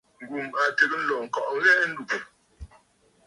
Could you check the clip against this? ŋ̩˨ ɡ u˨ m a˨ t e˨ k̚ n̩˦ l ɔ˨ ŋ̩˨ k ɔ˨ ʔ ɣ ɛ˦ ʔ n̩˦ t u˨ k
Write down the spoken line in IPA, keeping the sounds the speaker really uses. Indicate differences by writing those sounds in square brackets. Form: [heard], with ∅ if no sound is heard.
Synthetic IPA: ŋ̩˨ ɡ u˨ m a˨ t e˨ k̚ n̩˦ l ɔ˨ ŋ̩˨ k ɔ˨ ʔ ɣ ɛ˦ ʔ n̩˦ [d] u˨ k